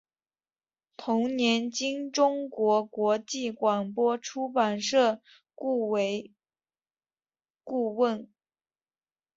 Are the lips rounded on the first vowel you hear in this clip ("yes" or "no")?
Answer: yes